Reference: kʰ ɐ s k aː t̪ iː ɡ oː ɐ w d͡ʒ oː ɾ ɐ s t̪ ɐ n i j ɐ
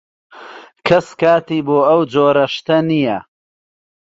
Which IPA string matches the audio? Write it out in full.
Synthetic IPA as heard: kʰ ɐ s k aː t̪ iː b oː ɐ w d͡ʒ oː ɾ ɐ ʃ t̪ ɐ n i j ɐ